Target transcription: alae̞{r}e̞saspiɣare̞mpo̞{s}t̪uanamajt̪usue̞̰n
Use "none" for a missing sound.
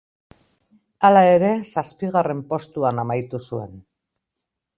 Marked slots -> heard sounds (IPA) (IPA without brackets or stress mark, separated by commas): ɾ, s